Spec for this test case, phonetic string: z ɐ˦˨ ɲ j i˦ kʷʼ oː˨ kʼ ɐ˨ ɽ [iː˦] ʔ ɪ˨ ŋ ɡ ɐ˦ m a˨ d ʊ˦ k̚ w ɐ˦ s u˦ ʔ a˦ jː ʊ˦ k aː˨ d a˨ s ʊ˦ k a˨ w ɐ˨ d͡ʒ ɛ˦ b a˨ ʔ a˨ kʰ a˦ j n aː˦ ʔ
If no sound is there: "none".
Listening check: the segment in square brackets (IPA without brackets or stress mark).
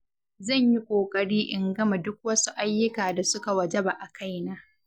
iː˦